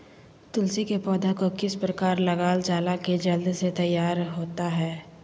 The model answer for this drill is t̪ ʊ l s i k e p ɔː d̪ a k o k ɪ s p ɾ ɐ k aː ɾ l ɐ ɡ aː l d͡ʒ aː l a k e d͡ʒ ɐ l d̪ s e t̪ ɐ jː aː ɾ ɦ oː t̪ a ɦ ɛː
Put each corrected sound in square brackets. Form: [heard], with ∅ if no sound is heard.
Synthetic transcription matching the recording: t̪ ʊ l s i k e p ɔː d̪ a k o k ɪ s p ɾ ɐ k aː ɾ l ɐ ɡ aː l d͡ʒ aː l a k e d͡ʒ ɐ l d̪ s e t̪ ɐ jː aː ɾ ɦ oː t̪ a ɦ ɛː